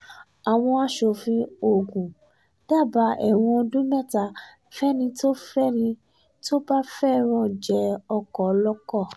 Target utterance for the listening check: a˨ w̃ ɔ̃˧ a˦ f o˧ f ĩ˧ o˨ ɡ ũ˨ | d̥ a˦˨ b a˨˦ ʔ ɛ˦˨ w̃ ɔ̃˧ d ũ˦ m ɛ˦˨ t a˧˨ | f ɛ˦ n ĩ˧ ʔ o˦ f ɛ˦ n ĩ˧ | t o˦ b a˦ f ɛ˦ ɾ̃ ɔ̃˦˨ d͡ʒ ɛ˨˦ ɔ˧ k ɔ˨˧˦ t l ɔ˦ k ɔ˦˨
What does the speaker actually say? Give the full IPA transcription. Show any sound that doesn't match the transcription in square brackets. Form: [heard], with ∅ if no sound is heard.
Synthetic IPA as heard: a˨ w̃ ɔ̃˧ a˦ [ʃ] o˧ f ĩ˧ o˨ ɡ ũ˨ | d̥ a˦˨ b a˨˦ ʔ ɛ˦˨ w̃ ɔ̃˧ d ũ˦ m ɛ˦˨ t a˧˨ | f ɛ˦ n ĩ˧ [t] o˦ f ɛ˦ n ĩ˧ | t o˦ b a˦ f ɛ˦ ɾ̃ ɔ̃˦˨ d͡ʒ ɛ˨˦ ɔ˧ k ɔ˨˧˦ [∅] l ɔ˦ k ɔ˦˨